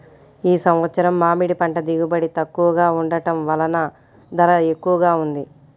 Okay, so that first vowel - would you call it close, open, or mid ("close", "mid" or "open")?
close